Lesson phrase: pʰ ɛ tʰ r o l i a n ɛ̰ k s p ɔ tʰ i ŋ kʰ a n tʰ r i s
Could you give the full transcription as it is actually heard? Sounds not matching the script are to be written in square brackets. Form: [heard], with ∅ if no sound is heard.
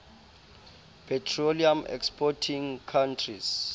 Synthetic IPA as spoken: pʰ ɛ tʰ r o l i a [m] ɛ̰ k s p ɔ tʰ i ŋ kʰ a n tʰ r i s